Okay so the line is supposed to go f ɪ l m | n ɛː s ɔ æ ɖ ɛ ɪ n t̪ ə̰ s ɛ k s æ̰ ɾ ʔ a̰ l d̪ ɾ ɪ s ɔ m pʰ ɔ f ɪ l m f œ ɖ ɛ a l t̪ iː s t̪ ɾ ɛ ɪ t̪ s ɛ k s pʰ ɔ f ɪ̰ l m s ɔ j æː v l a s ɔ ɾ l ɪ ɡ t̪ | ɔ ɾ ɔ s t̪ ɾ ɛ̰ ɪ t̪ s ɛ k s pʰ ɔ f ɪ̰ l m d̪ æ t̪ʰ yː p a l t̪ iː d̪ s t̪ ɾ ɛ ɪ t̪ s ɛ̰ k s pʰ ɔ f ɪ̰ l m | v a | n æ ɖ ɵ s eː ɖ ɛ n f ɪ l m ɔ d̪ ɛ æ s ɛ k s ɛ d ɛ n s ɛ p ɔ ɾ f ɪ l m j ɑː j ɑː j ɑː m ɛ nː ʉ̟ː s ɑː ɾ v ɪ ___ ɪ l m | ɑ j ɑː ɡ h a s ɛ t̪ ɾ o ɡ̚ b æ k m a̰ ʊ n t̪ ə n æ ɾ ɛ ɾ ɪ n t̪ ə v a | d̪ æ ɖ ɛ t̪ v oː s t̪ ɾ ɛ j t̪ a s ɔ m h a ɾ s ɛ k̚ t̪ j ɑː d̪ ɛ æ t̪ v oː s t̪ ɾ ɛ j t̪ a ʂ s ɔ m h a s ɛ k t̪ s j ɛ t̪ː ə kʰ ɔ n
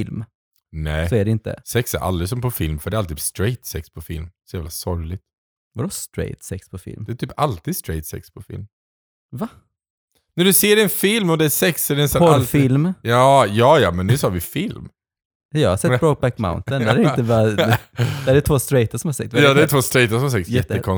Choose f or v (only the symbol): f